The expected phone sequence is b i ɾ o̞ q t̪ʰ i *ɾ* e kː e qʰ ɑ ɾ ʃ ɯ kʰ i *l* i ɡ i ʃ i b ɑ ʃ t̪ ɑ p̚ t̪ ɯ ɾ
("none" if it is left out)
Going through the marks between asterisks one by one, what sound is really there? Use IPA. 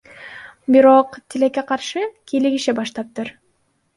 l, l

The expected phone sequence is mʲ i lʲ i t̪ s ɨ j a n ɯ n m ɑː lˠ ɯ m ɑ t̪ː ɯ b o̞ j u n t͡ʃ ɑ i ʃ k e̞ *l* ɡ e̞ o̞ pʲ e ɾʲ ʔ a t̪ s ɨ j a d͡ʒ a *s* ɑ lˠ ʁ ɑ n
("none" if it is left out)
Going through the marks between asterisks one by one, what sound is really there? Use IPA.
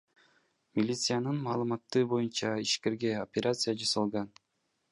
ɾ, s

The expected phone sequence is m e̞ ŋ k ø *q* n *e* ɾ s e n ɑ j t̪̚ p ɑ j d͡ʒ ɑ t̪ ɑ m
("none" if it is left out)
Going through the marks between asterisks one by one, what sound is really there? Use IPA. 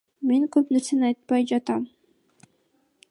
p, e

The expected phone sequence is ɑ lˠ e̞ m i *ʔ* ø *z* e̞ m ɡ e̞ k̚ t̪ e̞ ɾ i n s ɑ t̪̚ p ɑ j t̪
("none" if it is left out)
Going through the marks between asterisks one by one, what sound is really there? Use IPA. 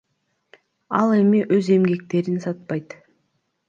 ʔ, z

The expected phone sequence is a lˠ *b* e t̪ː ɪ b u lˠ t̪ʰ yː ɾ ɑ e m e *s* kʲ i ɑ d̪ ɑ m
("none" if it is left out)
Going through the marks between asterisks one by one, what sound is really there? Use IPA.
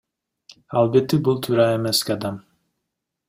b, s

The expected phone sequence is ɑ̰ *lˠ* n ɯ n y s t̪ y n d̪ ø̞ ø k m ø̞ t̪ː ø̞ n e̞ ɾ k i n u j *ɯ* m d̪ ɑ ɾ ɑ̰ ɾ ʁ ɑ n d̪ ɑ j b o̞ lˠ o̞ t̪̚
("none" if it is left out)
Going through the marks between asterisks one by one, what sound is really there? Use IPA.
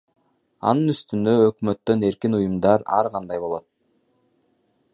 none, u

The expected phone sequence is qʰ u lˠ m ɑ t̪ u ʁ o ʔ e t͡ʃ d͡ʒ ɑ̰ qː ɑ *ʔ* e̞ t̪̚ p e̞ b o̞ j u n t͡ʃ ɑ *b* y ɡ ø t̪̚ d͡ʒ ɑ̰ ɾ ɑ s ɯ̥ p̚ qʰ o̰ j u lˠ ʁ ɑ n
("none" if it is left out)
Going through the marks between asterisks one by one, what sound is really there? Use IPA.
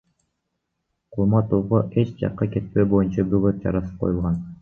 k, b

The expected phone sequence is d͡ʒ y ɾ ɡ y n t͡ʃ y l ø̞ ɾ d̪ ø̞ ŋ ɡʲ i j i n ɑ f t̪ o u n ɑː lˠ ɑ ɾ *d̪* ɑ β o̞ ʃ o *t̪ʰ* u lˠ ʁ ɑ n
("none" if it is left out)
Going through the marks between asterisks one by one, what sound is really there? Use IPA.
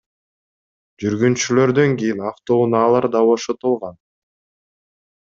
d̪, t̪

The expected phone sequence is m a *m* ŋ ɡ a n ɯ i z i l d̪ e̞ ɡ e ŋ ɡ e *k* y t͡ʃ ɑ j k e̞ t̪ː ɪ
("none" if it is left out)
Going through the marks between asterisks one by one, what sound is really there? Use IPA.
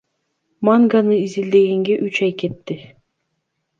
none, ʔ

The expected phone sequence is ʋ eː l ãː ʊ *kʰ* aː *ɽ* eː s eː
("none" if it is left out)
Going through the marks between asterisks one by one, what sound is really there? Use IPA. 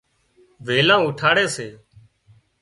ʈʰ, ɽ

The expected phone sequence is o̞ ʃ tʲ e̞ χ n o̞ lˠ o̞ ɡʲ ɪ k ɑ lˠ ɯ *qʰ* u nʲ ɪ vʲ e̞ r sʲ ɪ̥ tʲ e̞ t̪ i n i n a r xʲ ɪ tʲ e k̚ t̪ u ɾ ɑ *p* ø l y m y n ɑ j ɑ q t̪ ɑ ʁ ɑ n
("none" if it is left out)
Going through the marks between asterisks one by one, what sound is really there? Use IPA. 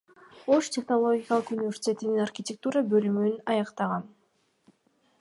q, b

